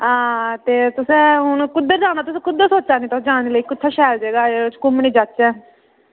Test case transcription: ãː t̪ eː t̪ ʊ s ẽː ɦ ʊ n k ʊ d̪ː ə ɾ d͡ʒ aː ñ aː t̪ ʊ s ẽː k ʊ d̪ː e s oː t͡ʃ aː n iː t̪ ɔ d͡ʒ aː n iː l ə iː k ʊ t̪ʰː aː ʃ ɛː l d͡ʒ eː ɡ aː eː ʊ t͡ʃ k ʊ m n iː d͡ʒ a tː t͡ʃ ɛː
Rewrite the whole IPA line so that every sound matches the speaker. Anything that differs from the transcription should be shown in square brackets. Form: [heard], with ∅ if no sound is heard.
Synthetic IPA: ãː t̪ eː t̪ ʊ s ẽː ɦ ʊ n k ʊ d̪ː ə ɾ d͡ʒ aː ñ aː t̪ ʊ s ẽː k ʊ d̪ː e s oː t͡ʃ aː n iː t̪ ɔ d͡ʒ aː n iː l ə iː k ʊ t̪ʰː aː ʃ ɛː l d͡ʒ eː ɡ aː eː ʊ t͡ʃ k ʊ m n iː d͡ʒ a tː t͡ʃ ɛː

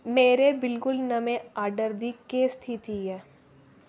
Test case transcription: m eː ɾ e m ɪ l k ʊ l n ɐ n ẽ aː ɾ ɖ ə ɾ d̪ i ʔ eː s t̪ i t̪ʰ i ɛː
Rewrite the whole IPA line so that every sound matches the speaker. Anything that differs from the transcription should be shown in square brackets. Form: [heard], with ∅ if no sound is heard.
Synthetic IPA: m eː ɾ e [b] ɪ l k ʊ l n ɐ [m] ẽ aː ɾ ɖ ə ɾ d̪ i [k] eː s [t̪ʰ] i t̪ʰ i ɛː

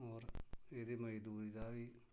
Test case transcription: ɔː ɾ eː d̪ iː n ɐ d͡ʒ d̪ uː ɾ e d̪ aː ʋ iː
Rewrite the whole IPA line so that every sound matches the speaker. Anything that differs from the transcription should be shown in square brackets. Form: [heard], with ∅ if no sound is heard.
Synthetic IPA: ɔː ɾ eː d̪ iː [m] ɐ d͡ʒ d̪ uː ɾ [i] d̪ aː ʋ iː

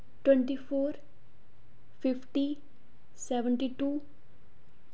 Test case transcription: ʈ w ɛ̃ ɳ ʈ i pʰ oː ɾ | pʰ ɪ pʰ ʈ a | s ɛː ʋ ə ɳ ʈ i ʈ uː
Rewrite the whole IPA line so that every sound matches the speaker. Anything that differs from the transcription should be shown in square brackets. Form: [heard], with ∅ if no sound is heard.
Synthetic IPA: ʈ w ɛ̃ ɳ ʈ i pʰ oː ɾ | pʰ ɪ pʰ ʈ [i] | s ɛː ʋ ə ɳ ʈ i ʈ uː

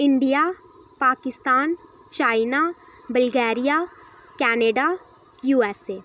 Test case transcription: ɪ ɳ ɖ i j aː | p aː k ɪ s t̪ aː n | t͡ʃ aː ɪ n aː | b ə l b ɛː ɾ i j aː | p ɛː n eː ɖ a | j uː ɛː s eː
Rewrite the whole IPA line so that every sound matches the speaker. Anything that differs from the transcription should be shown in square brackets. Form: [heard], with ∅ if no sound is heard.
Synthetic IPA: ɪ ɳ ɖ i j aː | p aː k ɪ s t̪ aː n | t͡ʃ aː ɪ n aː | b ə l [ɡ] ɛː ɾ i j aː | [k] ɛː n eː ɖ a | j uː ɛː s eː

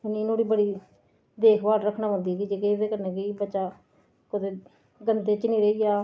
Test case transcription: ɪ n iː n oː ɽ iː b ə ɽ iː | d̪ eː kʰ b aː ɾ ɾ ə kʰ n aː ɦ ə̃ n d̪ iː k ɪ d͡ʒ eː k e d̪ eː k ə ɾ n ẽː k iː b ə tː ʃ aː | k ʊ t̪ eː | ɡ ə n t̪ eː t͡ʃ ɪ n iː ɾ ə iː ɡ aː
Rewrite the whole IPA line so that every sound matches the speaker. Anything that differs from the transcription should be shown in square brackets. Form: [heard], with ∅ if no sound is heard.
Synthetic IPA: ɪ n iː n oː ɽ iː b ə ɽ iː | d̪ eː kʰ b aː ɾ ɾ ə kʰ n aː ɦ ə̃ n d̪ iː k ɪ d͡ʒ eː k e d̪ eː k ə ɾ n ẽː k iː b ə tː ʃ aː | k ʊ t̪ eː | ɡ ə n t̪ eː t͡ʃ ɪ n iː ɾ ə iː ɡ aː

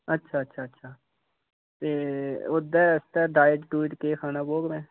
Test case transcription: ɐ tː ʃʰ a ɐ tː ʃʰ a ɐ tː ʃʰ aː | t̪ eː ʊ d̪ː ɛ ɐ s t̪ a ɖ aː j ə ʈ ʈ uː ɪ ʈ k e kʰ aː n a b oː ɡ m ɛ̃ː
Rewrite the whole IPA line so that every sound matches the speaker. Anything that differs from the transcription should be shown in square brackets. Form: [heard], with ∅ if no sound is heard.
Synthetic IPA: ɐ tː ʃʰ a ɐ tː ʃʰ a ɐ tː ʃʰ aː | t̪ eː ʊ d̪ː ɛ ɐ s t̪ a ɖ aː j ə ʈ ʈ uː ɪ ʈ k e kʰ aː n a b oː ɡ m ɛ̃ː

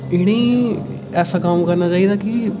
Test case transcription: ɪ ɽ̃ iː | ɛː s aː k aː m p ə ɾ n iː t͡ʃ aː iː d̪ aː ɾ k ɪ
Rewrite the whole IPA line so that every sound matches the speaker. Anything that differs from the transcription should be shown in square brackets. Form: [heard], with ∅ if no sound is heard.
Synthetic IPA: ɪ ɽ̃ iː | ɛː s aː k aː m [k] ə ɾ n [aː] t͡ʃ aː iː d̪ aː [∅] k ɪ

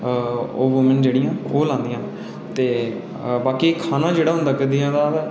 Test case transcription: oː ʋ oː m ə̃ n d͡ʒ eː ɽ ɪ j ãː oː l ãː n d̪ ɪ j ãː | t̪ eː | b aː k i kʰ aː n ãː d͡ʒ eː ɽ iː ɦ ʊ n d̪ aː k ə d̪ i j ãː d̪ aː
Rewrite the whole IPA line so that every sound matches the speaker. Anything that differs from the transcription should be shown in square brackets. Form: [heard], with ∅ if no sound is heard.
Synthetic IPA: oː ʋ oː m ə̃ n d͡ʒ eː ɽ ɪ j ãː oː l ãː n d̪ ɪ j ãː | t̪ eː | b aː k i kʰ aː n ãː d͡ʒ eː ɽ [aː] ɦ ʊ n d̪ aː k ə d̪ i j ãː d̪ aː

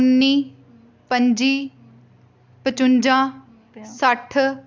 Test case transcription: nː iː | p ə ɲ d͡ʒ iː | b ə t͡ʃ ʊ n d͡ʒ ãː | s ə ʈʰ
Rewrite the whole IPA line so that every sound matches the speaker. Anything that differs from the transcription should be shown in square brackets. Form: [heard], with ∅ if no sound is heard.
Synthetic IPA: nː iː | p ə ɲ d͡ʒ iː | [p] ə t͡ʃ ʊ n d͡ʒ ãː | s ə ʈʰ

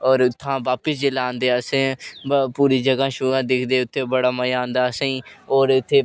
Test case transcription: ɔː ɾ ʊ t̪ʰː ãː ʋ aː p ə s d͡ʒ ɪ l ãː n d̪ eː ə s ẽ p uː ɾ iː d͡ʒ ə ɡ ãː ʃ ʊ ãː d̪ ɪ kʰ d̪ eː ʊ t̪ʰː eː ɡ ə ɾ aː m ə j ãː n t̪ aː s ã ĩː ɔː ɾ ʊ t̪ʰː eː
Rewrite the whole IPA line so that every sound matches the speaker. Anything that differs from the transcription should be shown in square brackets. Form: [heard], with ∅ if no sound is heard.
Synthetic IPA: ɔː ɾ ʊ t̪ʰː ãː ʋ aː p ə s d͡ʒ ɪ l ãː n d̪ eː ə s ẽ p uː ɾ iː d͡ʒ ə ɡ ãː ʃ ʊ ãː d̪ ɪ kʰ d̪ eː ʊ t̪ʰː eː [b] ə [ɽ] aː m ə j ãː n [d̪] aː s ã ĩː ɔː ɾ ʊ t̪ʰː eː

